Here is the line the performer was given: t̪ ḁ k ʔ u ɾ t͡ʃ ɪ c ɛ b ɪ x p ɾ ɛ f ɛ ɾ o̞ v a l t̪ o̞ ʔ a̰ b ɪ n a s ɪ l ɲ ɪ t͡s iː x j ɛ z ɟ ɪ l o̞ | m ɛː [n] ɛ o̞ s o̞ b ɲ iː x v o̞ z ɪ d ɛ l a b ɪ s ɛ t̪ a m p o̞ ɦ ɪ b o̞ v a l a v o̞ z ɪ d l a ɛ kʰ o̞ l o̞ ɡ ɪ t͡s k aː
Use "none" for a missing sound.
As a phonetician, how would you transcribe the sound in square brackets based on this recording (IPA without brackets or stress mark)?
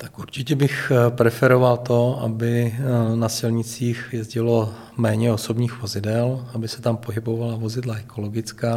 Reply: ɲ